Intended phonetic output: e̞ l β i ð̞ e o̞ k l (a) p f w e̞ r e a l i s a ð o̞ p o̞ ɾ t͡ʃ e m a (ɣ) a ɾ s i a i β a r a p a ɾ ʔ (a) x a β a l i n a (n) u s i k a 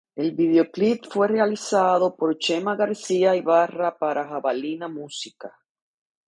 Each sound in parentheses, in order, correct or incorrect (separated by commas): incorrect, correct, correct, incorrect